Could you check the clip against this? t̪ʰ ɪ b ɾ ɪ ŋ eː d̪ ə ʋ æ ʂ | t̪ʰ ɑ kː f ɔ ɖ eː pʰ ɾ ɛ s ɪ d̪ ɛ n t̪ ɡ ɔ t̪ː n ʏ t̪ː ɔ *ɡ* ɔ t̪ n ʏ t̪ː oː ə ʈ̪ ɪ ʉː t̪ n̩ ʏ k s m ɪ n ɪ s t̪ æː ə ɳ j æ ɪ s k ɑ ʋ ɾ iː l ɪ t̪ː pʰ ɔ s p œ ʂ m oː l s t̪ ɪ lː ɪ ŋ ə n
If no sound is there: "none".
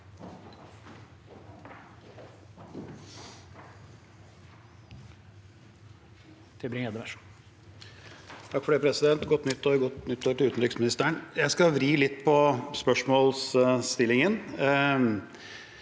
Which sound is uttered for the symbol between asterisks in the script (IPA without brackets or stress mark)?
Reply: ɡ